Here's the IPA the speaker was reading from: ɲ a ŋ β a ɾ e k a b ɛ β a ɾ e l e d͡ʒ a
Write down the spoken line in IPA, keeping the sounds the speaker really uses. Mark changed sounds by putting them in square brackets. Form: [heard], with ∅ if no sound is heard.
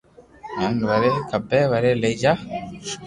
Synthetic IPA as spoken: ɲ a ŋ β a ɾ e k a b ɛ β a ɾ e l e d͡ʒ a